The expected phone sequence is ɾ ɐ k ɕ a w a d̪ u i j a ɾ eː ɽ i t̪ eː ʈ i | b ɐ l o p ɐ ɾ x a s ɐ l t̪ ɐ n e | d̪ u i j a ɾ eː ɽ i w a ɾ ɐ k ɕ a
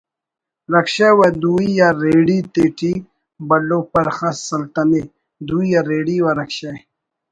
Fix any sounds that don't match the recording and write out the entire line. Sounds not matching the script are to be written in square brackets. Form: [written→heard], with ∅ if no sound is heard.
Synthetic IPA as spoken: ɾ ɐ k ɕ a w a d̪ u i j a ɾ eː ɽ i t̪ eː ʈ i | b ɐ l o p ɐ ɾ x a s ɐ l t̪ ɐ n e | d̪ u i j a ɾ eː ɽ i w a ɾ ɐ k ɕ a